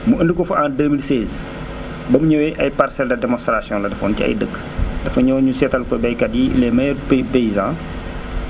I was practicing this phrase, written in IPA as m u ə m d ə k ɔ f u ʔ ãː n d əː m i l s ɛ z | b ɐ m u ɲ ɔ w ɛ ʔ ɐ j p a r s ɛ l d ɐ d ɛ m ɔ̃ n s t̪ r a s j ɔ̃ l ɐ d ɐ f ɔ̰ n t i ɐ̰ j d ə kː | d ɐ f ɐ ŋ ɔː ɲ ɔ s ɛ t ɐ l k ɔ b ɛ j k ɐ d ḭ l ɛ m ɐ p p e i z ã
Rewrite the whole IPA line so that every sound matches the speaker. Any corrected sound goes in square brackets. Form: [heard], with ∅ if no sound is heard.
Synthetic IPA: m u ə [n] d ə k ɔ f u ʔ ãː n d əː m i l s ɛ z | b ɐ m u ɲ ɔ w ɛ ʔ ɐ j p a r s ɛ l d ɐ d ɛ m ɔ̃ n s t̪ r a s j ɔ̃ l ɐ d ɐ f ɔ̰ n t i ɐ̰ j d ə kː | d ɐ f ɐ [ɲ] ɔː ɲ [u] s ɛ t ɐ l k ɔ b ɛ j k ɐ d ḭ l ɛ m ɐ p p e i z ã